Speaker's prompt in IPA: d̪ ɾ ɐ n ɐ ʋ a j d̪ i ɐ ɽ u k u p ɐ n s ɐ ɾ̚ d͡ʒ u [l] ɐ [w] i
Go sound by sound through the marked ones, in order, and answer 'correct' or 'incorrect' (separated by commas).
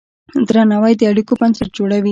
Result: incorrect, incorrect